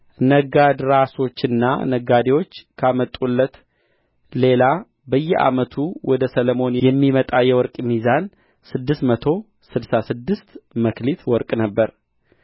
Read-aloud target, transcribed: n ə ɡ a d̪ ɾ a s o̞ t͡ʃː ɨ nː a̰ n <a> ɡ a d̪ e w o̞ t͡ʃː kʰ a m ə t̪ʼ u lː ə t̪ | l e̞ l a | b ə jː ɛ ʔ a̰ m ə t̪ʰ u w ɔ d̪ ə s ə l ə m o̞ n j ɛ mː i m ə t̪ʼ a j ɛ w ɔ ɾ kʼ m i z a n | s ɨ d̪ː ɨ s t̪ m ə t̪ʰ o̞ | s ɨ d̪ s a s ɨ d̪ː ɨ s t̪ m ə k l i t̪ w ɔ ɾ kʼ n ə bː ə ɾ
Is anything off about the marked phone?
yes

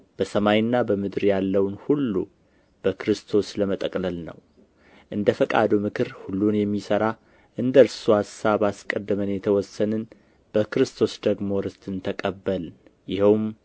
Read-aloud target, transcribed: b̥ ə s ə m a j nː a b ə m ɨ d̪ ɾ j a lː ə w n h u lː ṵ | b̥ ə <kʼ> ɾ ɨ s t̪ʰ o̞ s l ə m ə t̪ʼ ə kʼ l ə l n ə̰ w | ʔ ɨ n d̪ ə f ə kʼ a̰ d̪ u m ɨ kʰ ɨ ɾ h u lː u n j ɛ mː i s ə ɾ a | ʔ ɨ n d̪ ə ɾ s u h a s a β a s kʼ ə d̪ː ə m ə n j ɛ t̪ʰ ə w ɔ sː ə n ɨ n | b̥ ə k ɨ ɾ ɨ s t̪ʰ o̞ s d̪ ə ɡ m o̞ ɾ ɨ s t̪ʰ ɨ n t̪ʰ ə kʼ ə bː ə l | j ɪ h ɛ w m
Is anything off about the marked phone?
yes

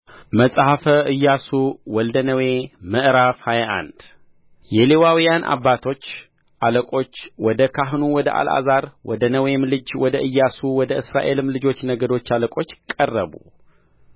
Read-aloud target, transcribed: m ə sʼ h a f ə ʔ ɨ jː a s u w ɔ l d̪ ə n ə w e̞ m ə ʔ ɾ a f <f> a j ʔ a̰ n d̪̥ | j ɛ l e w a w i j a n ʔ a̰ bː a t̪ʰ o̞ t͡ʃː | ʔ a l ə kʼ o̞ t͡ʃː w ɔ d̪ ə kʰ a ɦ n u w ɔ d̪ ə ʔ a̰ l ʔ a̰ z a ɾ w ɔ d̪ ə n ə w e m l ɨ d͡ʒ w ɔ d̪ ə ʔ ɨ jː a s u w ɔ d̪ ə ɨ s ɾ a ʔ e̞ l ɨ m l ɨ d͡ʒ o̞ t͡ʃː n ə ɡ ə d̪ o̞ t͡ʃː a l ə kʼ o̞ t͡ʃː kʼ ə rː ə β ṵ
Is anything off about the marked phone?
yes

